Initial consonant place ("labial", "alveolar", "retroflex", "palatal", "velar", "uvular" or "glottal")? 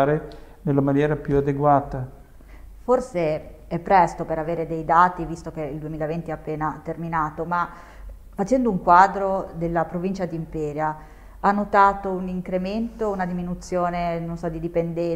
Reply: alveolar